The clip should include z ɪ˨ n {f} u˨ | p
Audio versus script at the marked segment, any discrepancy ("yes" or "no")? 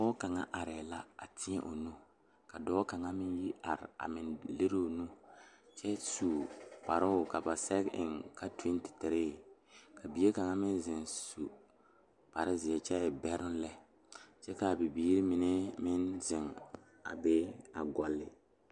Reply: yes